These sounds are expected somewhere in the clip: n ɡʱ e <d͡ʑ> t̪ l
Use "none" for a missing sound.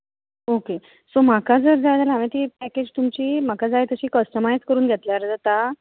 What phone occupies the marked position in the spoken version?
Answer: none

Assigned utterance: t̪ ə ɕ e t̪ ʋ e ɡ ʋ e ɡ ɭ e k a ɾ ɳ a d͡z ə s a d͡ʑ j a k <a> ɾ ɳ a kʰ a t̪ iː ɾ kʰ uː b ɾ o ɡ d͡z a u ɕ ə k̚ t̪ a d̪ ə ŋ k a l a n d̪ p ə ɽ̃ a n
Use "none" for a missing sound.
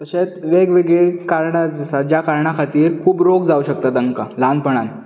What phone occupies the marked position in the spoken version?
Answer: a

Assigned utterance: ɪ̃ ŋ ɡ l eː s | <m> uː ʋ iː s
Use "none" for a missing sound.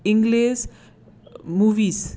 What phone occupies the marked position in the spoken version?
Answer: m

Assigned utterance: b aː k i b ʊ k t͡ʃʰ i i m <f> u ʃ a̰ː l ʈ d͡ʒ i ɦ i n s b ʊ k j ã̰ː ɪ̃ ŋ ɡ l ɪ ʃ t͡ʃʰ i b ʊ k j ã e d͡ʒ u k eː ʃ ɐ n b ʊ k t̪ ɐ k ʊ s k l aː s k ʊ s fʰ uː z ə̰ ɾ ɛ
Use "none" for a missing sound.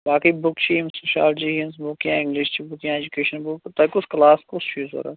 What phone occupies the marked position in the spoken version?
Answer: s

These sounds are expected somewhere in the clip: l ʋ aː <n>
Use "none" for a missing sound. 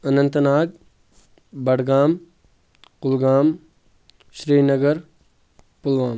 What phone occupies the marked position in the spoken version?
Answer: m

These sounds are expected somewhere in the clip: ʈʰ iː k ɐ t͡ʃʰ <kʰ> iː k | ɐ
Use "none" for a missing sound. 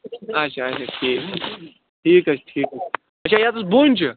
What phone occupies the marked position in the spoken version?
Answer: ʈʰ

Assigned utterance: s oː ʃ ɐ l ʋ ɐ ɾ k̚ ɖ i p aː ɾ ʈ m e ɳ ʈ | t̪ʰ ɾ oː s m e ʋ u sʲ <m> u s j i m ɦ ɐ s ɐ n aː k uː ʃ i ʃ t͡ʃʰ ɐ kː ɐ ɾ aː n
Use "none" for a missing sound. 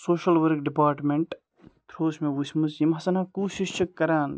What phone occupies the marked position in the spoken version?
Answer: m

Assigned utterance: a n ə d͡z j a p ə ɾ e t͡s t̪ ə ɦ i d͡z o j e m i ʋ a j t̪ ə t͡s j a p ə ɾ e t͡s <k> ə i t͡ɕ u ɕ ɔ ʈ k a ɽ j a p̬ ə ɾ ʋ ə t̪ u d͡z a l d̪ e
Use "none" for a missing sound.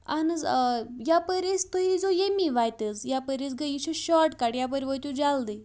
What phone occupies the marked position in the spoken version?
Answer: ɡ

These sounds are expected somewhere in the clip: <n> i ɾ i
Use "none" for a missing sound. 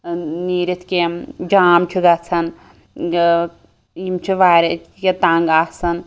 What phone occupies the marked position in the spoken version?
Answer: n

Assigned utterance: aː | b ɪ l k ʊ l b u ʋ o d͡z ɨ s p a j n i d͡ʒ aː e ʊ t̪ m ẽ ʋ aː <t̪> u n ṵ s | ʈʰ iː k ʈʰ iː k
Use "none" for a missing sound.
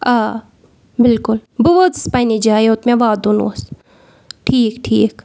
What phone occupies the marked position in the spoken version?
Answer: d̪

